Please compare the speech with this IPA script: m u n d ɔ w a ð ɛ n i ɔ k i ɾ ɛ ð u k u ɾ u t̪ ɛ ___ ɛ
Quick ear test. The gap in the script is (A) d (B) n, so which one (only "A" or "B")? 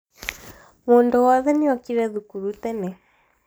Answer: B